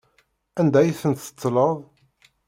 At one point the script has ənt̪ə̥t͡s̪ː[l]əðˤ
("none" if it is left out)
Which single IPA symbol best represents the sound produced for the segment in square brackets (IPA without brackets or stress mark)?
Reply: l